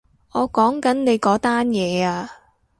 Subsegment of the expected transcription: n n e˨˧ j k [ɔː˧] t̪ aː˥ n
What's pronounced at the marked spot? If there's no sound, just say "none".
ɔː˨˥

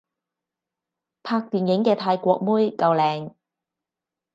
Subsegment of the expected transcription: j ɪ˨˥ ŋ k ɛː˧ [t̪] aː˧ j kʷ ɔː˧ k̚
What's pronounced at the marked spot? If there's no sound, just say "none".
t̪ʰ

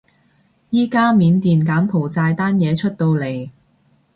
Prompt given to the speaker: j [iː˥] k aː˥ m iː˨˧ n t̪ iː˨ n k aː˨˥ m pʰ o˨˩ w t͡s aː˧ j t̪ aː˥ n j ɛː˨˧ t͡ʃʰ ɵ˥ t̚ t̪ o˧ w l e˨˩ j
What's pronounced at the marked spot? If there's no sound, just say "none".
iː˥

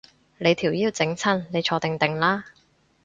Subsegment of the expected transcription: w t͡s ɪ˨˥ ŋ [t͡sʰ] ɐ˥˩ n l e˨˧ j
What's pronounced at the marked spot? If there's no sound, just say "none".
t͡sʰ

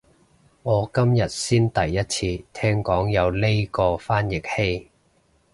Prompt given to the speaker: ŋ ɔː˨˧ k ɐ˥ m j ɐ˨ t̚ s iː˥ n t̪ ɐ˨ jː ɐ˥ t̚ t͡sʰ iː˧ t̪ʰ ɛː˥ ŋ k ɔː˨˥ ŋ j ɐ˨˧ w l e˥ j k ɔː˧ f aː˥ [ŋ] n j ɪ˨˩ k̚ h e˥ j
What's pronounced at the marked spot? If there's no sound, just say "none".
none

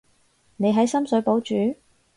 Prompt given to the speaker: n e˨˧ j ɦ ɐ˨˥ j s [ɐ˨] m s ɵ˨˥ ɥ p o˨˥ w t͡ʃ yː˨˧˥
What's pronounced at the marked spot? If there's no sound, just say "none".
ɐ˥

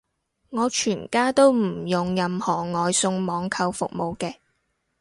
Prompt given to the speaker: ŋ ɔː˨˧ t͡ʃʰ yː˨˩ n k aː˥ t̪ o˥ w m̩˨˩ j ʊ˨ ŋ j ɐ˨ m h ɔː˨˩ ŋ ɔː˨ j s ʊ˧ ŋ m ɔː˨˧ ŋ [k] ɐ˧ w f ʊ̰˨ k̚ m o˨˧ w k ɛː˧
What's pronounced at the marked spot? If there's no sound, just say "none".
kʰ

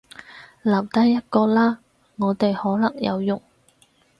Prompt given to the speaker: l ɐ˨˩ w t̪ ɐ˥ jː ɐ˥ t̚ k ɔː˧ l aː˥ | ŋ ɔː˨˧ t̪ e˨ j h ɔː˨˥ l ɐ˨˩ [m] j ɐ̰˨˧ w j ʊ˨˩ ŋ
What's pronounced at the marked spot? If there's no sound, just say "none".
ŋ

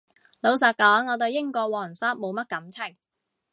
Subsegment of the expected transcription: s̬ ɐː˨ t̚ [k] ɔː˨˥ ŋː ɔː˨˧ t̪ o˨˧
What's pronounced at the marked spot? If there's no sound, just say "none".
k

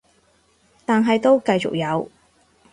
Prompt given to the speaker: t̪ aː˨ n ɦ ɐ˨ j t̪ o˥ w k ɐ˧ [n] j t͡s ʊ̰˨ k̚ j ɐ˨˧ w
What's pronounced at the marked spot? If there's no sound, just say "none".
none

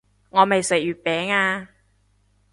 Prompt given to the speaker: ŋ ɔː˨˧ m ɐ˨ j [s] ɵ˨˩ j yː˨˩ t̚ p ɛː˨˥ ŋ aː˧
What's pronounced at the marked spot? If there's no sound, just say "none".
s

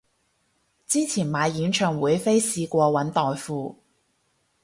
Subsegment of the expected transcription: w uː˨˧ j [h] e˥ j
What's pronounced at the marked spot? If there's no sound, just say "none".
f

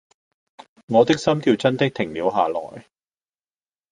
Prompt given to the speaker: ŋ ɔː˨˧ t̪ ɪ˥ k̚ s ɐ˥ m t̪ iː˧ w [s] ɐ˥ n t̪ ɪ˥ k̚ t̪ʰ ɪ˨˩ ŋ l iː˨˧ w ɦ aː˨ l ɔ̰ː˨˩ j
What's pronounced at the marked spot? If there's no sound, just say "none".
t͡s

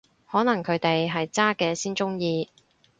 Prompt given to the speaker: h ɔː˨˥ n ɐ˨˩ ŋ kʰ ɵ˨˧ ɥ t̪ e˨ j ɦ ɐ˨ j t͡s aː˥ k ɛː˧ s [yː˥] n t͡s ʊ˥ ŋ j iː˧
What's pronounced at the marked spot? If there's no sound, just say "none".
iː˥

